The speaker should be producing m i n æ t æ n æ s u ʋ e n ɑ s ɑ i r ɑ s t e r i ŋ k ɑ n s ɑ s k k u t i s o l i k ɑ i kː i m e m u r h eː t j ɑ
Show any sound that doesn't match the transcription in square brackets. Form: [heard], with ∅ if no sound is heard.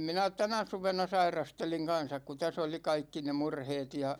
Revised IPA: m i n æ t æ n æ s u ʋ e n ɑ s ɑ i r ɑ s t e [l] i ŋ k ɑ n s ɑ [∅] k k u t [æ] s o l i k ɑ i kː i [n] e m u r h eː t j ɑ